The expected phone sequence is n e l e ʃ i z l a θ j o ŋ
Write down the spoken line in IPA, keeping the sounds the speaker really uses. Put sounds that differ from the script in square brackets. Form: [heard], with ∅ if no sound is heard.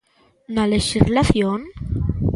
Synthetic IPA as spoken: n [a] l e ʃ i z l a θ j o [n]